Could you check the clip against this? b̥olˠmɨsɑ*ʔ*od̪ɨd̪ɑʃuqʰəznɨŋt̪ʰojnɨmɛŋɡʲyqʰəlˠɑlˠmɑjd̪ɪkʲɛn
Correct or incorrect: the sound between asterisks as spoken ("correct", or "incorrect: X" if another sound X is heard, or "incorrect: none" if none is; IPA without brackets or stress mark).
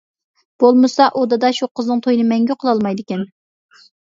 correct